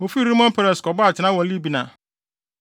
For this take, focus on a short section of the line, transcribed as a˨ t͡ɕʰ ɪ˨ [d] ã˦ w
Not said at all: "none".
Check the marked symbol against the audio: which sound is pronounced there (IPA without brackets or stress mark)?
n